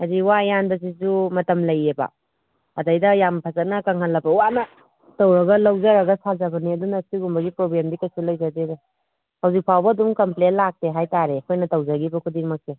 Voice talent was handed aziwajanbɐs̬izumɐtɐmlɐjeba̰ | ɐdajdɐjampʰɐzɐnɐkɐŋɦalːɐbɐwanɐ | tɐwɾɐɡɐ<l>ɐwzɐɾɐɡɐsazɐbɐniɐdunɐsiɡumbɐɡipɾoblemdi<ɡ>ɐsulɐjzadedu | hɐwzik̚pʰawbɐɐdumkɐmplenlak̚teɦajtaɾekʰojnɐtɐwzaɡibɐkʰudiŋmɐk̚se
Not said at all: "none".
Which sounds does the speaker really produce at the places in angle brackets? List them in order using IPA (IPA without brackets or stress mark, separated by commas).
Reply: l, k